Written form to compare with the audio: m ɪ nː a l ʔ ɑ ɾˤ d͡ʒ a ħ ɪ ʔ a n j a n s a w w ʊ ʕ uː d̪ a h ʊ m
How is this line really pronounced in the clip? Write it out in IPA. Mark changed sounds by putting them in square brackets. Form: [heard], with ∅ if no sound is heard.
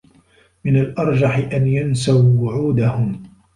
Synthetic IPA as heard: m ɪ [n] a l ʔ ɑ ɾˤ d͡ʒ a ħ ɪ ʔ a n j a n s a w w ʊ ʕ uː d̪ a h ʊ m